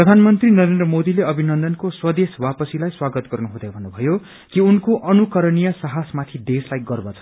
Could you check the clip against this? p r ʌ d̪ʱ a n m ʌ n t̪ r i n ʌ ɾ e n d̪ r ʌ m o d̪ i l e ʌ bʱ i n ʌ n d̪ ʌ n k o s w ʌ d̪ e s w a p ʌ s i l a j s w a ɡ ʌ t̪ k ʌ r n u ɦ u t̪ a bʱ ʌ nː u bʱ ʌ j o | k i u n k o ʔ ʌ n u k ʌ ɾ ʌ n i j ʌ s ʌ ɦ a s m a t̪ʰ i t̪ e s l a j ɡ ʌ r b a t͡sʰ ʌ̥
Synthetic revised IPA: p r ʌ d̪ʱ a n m ʌ n t̪ r i n ʌ ɾ e n d̪ r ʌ m o d̪ i l e ʌ bʱ i n ʌ n d̪ ʌ n k o s w ʌ d̪ e s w a p ʌ s i l a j s w a ɡ ʌ t̪ ɡ ʌ r n u ɦ u d̪ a bʱ ʌ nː u bʱ ʌ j o | k i u n k o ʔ ʌ n u k ʌ ɾ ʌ n i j ʌ s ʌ ɦ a s m a t̪ʰ i d̪ e s l a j ɡ ʌ r b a t͡sʰ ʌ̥

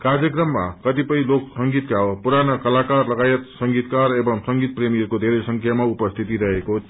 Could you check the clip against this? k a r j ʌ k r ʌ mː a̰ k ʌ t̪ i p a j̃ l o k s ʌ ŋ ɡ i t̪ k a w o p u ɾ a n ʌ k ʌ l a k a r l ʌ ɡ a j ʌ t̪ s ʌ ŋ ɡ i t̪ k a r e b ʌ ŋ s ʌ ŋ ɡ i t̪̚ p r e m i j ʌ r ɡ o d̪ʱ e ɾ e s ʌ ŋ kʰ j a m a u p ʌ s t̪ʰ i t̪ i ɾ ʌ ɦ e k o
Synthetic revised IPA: k a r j ʌ k r ʌ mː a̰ k ʌ t̪ i p ʌ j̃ l o k s ʌ ŋ ɡ i t̪ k a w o p u ɾ a n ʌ k ʌ l a k a r l ʌ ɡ a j ʌ t̪ s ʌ ŋ ɡ i t̪ k a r e b ʌ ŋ s ʌ ŋ ɡ i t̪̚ p r e m i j ʌ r k o d̪ʱ e ɾ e s ʌ ŋ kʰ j a m a u p ʌ s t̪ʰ i t̪ i ɾ ʌ ɦ e k o

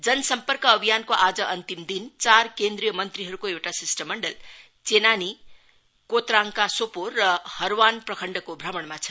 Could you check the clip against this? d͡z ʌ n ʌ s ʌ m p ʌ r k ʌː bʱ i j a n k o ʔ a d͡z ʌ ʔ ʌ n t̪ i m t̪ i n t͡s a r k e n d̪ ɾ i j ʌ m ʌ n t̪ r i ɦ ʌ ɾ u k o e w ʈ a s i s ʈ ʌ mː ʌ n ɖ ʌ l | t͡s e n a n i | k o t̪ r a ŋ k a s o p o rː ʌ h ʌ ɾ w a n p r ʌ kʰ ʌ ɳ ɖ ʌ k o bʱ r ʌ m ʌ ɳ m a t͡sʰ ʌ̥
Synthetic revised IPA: d͡z ʌ n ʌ s ʌ m p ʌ r k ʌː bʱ i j a n k o ʔ a d͡z ʌ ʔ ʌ n t̪ i m d̪ i n t͡s a r k e n d̪ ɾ i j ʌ m ʌ n t̪ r i ɦ ʌ ɾ u k o e w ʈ a s i s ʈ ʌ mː ʌ ɳ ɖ ʌ l | t͡s e n a n i | k o t̪ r a ŋ k a s o p o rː ʌ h ʌ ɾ w a n p r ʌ kʰ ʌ ɳ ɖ ʌ k o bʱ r ʌ m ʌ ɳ m a t͡sʰ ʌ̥

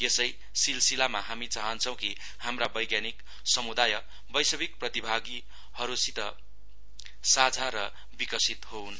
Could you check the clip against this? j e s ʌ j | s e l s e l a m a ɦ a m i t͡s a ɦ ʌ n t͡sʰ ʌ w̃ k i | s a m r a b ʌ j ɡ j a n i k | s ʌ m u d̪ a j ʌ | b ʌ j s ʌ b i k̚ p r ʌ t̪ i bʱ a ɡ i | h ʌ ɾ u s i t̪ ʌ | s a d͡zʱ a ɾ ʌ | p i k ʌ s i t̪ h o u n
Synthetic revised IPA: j e s ʌ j | s i l s i l a m a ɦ a m i t͡s a ɦ ʌ n t͡sʰ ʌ w̃ k i | h a m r a b ʌ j ɡ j a n i k | s ʌ m u d̪ a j ʌ | b ʌ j s ʌ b i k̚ p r ʌ t̪ i bʱ a ɡ i | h ʌ ɾ u s i t̪ ʌ | s a d͡zʱ a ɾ ʌ | b i k ʌ s i t̪ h o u n

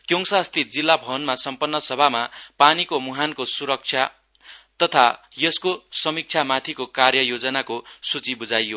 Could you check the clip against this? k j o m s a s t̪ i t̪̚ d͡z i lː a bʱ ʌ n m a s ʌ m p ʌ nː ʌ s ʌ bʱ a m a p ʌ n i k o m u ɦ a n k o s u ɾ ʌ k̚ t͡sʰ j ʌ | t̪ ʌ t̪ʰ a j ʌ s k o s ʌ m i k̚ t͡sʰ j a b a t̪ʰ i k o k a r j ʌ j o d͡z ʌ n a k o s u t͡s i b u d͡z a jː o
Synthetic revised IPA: k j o ŋ s a s t̪ i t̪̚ d͡z i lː a bʱ ʌ n m a s ʌ m p ʌ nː ʌ s ʌ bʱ a m a p a n i k o m u ɦ a n k o s u ɾ ʌ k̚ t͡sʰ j a | t̪ ʌ t̪ʰ a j ʌ s k o s ʌ m i k̚ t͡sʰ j a m a t̪ʰ i k o k a r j ʌ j o d͡z ʌ n a k o s u t͡s i b u d͡z a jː o

